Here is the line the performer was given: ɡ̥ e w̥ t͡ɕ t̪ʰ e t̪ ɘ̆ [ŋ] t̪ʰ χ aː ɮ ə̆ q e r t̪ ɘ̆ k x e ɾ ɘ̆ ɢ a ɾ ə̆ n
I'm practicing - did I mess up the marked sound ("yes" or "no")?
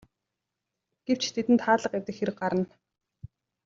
yes